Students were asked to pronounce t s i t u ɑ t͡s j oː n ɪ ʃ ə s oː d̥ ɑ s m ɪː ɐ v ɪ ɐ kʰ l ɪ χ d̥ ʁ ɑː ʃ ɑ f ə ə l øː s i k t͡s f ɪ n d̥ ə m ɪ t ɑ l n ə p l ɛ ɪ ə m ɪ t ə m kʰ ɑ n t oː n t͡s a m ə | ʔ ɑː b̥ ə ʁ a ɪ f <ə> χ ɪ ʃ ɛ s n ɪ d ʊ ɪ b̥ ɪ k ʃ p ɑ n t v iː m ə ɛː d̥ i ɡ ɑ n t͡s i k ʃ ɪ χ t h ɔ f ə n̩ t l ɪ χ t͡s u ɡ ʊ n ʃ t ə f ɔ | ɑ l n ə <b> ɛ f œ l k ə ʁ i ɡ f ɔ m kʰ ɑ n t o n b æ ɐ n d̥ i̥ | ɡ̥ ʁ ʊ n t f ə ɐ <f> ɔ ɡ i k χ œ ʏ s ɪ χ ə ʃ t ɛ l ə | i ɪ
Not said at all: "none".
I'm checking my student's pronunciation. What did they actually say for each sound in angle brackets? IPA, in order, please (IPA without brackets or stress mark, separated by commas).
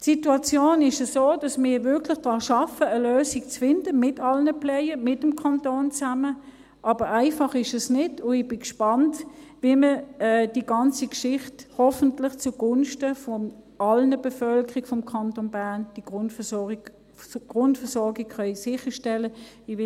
ɑ, b, s